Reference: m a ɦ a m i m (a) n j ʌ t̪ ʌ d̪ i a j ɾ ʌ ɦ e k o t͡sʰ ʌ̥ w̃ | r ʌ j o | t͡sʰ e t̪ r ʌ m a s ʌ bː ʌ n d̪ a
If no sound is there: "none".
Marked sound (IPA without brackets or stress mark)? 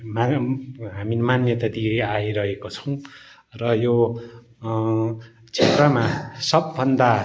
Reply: a